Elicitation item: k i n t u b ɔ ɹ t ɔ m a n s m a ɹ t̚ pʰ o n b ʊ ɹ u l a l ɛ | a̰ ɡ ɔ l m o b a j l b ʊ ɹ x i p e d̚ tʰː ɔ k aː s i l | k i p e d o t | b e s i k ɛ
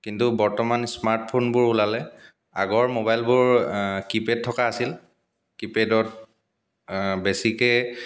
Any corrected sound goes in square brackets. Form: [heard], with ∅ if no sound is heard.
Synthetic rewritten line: k i n t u b ɔ ɹ t ɔ m a n s m a ɹ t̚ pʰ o n b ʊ ɹ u l a l ɛ | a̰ ɡ ɔ [ɹ] m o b a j l b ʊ ɹ [k] i p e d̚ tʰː ɔ k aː s i l | k i p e d [ɔ] t | b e s i k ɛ